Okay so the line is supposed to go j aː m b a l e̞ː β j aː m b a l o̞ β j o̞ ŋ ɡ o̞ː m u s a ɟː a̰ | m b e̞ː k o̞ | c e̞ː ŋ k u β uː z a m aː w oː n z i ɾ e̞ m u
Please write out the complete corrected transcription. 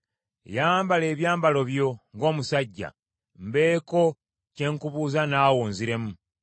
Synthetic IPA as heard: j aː m b a l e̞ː β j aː m b a l o̞ β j o̞ ŋ ɡ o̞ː m u s a ɟː a̰ | m b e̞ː k o̞ | c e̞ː ŋ k u β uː z a n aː w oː n z i ɾ e̞ m u